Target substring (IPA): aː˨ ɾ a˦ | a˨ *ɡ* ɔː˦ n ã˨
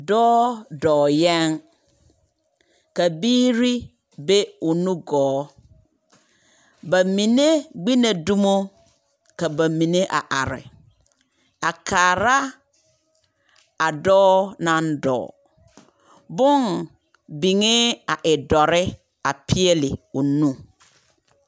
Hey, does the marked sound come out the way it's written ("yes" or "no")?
no